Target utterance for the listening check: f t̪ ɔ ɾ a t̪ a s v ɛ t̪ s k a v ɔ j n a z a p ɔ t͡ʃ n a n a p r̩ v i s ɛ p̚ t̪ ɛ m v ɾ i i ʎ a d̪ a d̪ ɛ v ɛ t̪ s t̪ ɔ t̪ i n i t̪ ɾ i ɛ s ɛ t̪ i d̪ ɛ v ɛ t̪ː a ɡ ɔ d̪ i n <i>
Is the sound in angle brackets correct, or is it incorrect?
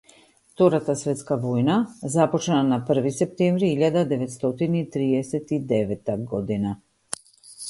incorrect